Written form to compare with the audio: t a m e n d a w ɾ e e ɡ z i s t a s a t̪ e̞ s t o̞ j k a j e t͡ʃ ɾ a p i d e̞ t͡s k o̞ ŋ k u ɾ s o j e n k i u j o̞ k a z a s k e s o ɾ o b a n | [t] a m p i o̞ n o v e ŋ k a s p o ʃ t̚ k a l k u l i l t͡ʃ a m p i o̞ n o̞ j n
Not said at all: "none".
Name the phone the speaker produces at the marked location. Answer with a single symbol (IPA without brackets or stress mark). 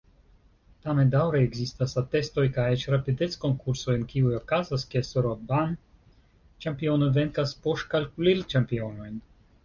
t͡ʃ